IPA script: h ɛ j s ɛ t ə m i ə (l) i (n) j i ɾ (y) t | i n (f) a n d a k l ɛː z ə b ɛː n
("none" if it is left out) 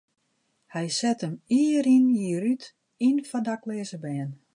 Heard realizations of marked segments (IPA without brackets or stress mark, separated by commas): ɾ, n, y, f